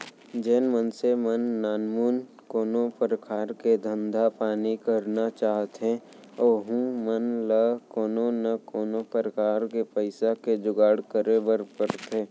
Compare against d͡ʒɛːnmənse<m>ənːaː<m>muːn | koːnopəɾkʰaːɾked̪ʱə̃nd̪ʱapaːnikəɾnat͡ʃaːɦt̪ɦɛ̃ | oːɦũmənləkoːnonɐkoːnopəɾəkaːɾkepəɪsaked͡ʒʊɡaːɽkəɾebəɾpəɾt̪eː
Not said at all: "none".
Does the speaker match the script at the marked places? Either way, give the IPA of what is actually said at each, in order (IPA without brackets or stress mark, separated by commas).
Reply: m, n